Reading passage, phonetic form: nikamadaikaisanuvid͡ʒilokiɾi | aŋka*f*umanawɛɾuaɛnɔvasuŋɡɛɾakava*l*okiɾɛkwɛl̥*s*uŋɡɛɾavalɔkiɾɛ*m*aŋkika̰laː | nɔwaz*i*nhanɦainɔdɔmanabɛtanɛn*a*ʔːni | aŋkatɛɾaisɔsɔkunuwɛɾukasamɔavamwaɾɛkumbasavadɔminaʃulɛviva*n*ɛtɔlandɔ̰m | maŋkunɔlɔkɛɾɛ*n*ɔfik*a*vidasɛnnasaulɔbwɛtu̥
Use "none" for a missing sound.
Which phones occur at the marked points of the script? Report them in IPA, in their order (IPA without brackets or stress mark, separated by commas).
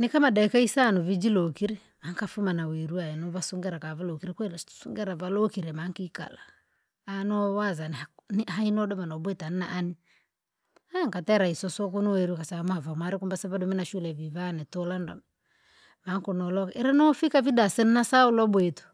f, l, s, m, a, a, n, n, a